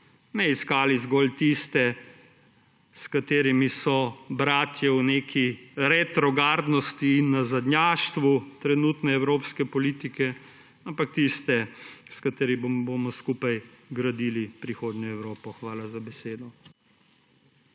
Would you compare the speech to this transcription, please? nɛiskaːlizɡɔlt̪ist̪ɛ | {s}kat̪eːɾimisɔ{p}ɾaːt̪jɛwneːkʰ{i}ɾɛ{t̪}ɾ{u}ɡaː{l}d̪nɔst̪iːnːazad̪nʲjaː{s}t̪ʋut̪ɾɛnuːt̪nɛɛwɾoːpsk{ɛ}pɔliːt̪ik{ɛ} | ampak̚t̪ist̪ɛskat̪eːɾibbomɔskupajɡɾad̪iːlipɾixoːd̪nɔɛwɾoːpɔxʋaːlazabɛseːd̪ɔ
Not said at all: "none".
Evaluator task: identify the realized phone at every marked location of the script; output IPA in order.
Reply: s, b, i, t̪, ɔ, ɾ, ʃ, ɛ, ɛ

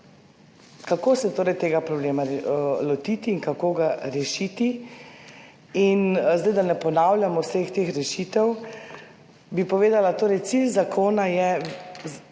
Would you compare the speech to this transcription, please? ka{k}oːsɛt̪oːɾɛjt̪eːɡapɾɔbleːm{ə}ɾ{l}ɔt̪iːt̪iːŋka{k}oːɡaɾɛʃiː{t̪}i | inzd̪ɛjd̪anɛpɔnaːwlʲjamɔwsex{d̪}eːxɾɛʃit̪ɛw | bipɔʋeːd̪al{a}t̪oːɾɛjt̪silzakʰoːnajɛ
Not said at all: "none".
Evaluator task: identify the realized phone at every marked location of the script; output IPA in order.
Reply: k, a, l, k, t̪, t̪, a

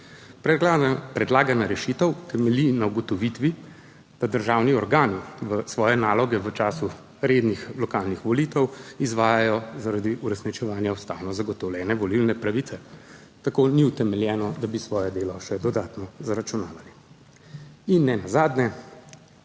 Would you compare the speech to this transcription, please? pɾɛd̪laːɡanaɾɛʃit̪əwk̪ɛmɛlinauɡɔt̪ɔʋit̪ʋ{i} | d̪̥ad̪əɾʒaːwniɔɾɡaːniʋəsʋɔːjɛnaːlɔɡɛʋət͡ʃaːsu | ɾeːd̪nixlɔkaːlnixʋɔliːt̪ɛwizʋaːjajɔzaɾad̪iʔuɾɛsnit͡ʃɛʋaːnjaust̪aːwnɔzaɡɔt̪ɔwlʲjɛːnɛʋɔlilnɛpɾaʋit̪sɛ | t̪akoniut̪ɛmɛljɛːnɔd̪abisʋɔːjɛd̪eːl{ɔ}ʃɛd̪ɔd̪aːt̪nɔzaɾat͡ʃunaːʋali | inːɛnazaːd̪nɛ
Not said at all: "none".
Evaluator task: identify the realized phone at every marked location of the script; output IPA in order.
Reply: i, ɔ

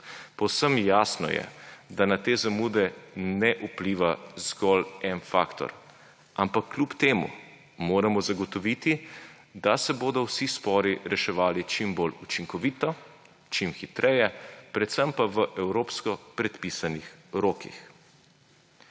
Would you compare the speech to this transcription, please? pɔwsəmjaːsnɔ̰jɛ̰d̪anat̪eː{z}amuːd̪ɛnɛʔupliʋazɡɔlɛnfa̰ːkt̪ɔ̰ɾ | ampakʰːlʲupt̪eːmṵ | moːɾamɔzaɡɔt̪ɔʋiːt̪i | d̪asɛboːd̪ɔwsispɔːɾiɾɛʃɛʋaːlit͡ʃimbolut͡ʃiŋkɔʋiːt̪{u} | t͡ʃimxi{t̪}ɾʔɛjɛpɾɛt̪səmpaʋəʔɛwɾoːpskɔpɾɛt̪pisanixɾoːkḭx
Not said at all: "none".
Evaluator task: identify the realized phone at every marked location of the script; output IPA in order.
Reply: z, ɔ, t̪

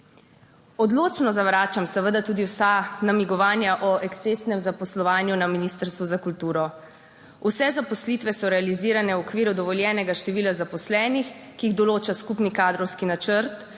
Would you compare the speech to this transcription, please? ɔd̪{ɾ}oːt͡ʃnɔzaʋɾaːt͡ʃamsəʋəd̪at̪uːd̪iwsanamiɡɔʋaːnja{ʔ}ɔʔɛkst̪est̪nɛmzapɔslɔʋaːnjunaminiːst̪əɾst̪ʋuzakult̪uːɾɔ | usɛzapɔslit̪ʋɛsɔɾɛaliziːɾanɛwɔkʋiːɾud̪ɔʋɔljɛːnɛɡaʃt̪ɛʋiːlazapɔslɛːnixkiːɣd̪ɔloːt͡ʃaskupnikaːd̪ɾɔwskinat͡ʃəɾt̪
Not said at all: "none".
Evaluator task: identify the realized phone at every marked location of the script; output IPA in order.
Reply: l, ʔ

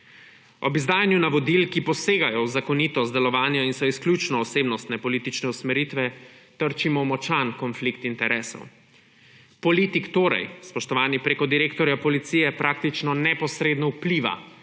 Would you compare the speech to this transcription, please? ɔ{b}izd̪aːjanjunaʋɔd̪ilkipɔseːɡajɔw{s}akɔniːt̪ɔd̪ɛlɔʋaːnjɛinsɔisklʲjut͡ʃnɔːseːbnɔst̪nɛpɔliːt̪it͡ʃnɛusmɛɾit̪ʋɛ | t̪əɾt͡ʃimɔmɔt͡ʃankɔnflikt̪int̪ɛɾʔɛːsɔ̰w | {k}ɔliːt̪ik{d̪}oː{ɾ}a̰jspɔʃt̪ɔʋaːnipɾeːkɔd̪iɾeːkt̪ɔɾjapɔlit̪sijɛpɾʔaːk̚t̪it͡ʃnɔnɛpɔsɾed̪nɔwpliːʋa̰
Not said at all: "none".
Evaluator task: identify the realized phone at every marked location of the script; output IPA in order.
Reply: b, z, p, t̪, ɾ

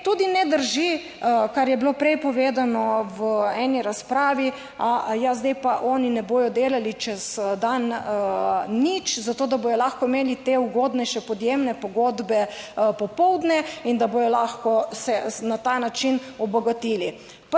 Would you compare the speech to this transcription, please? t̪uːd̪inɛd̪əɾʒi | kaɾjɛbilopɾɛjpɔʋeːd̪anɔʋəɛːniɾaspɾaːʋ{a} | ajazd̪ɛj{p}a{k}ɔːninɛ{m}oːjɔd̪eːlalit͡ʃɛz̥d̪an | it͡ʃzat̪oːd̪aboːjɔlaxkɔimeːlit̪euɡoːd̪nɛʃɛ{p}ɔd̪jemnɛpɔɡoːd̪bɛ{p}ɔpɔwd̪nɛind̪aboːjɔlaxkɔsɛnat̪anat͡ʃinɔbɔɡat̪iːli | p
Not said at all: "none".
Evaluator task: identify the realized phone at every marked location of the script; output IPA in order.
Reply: i, p, ʔ, b, p, p

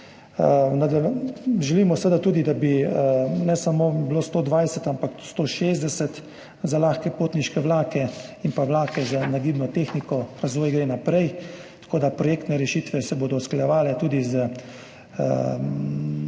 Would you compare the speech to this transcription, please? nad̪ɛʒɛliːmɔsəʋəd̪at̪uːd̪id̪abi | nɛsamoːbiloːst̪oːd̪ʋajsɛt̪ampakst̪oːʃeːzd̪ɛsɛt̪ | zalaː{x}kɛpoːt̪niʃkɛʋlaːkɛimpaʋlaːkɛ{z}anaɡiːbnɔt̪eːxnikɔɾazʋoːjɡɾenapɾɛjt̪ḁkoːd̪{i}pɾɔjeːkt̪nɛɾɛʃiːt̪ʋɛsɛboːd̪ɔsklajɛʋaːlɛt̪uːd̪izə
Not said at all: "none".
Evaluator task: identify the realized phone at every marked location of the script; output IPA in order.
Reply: x, z, a

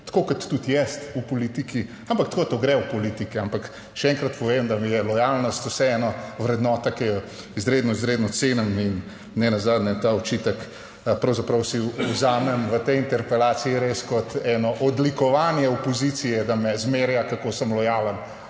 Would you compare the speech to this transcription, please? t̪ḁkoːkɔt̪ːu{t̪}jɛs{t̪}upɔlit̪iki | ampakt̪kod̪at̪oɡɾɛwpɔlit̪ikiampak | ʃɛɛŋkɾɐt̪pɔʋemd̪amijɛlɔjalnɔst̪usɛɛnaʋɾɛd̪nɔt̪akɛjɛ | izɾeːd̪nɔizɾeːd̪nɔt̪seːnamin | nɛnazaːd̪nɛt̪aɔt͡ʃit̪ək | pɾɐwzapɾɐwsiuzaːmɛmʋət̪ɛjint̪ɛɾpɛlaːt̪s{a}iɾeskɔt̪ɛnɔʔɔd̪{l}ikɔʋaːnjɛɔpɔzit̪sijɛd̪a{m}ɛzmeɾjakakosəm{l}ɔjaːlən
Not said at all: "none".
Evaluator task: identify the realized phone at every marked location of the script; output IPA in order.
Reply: t̪, t̪, i, l, m, l

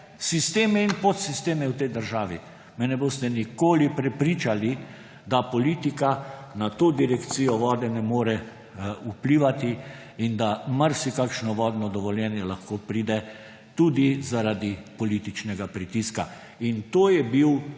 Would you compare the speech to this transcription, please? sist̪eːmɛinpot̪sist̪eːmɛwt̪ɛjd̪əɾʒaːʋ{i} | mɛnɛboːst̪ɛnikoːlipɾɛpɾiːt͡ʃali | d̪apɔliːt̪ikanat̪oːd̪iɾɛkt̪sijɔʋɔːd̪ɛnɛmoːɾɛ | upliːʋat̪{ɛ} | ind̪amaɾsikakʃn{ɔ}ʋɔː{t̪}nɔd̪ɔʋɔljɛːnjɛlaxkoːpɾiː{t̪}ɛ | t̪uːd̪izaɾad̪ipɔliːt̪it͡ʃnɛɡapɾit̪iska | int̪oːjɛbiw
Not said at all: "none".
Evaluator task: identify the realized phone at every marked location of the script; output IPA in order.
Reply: i, i, ɔ, d̪, d̪

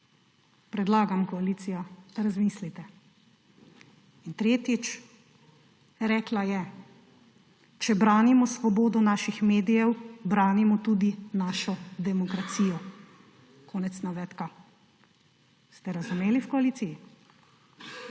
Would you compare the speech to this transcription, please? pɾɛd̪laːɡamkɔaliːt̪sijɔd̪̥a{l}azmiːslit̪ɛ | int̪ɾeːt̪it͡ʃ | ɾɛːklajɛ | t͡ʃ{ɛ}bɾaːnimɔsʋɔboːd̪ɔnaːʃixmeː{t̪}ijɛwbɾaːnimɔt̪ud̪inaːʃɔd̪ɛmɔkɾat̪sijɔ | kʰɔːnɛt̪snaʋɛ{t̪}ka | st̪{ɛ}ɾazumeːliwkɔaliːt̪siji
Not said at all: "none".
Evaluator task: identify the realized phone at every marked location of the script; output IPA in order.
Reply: ɾ, ɛ, d̪, t̪, ɛ

